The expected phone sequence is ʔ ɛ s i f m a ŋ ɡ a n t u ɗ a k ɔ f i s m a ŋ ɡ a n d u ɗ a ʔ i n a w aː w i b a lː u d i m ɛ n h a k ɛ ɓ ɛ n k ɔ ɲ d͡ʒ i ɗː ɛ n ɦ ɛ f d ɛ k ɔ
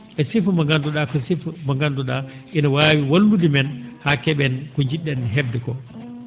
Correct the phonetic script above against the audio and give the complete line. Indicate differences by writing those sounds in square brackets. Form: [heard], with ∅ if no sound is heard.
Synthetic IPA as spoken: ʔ ɛ s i f m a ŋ ɡ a n [d] u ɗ a k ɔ [s] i [f] m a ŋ ɡ a n d u ɗ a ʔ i n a w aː w i [w] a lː u d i m ɛ n h a k ɛ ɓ ɛ n k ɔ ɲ d͡ʒ i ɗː ɛ n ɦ ɛ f d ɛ k ɔ